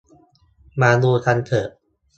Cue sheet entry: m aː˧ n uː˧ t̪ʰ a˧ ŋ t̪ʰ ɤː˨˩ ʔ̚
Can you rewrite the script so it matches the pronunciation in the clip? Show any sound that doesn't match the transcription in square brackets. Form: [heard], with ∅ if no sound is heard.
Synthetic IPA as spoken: m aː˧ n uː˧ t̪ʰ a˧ [n] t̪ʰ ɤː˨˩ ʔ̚